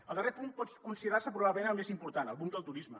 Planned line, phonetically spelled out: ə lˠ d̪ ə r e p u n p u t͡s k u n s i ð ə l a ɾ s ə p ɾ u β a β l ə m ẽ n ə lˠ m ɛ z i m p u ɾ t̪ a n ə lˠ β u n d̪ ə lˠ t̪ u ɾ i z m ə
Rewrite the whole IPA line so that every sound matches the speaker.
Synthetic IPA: ə lˠ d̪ ə r e p u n p ɔ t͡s k u n s i ð ə ɾ a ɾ s ə p ɾ u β a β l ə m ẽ n ə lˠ m e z i m p u ɾ t̪ a n ə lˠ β u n d̪ ə lˠ t̪ u ɾ i z m ə